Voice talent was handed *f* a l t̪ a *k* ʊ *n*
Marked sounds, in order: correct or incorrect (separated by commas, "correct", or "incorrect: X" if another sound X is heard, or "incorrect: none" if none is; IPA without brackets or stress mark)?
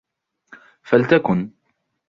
correct, correct, correct